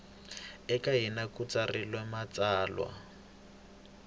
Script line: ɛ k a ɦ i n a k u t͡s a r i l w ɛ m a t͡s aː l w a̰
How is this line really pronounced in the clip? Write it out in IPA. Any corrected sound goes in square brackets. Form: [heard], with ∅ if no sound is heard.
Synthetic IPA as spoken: ɛ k a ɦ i n a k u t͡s a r i l w ɛ m a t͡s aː l w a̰